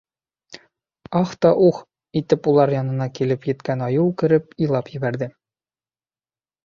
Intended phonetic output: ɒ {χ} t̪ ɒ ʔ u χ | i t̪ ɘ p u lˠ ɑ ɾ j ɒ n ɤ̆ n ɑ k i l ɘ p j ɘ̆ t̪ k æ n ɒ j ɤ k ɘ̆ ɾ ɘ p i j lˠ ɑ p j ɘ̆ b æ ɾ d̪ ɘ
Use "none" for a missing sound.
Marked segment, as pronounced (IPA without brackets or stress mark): χ